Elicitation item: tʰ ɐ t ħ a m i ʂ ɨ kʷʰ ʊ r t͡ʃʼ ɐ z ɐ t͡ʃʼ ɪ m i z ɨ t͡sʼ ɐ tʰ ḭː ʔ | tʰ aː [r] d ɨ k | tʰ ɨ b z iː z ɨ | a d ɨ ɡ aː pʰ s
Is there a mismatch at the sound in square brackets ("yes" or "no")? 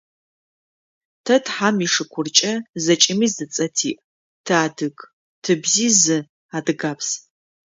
yes